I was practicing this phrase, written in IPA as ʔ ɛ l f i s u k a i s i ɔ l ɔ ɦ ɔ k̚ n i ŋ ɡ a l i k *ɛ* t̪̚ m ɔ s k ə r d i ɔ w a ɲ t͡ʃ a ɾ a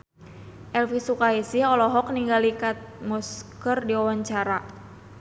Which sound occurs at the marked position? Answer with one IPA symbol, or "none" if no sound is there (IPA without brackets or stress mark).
a